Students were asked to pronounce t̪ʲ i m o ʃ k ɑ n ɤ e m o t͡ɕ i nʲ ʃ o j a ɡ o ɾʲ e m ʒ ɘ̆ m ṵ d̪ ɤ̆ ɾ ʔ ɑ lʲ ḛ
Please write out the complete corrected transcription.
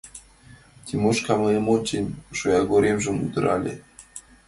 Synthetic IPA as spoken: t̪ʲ i m o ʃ k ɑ m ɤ e m o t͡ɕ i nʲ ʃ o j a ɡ o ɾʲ e m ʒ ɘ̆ m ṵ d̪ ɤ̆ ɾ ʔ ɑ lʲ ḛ